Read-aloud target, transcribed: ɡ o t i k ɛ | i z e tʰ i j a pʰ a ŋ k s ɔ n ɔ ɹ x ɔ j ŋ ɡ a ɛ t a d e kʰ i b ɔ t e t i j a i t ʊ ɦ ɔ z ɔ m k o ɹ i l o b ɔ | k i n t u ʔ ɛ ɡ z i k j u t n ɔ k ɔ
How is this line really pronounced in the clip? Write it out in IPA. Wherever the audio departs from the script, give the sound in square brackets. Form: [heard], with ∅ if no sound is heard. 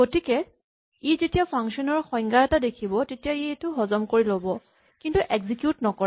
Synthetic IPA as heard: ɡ o t i k ɛ | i z e [t] i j a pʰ a ŋ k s ɔ n ɔ ɹ x ɔ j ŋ ɡ a ɛ t a d e kʰ i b ɔ t e t i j a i t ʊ ɦ ɔ z ɔ m k o ɹ i l o b ɔ | k i n t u ʔ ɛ ɡ z i k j u t n ɔ k ɔ